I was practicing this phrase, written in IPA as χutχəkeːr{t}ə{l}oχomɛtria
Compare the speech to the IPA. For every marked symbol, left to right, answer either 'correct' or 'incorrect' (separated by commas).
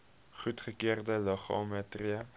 incorrect, correct